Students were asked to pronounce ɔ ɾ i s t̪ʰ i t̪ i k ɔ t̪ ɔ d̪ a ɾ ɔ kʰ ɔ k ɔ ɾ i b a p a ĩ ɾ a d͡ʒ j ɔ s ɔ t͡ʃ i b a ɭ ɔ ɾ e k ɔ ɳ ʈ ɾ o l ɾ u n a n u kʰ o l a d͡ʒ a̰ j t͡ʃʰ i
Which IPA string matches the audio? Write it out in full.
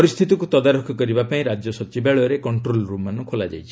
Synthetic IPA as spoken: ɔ ɾ i s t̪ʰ i t̪ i k u t̪ ɔ d̪ a ɾ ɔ kʰ ɔ k ɔ ɾ i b a p a ĩ ɾ a d͡ʒ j ɔ s ɔ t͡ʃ i b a ɭ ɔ ɾ e k ɔ ɳ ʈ ɾ o l ɾ u m a n u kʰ o l a d͡ʒ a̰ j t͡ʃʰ i